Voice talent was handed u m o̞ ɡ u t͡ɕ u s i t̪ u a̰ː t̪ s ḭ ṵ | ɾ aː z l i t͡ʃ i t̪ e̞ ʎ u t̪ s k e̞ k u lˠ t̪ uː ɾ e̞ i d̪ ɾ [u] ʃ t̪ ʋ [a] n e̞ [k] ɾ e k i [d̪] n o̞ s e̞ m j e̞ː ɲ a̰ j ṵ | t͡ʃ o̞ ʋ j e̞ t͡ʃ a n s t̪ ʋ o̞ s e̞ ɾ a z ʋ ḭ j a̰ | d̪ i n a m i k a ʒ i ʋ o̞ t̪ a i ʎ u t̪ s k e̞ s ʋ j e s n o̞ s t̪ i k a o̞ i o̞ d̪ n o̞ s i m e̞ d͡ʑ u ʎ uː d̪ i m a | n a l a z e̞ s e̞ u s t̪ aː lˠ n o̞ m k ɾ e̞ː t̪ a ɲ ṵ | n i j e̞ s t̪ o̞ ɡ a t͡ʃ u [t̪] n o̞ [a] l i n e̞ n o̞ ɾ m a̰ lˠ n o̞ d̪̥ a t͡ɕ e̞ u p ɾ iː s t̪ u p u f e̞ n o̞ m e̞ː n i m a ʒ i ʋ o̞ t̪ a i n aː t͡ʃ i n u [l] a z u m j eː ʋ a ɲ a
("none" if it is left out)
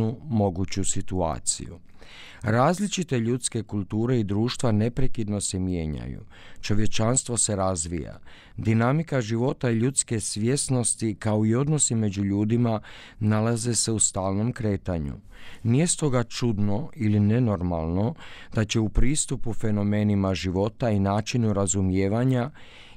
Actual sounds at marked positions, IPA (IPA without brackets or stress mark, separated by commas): uː, a, p, d̪, d̪, i, ɾ